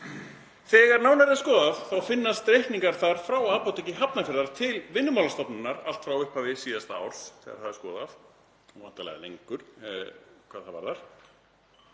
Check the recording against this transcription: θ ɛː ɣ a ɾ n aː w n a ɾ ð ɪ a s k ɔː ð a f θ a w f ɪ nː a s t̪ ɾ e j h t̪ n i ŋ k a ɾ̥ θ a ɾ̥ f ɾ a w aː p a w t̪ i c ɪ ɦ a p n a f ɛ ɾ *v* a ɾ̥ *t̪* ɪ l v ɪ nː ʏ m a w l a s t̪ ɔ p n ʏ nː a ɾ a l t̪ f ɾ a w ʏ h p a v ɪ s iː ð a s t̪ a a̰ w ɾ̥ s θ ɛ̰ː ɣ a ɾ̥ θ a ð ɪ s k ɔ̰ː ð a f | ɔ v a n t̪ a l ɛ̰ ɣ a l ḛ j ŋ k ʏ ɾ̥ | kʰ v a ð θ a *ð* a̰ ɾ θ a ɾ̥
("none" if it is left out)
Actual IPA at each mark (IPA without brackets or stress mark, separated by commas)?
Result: ð, t̪ʰ, v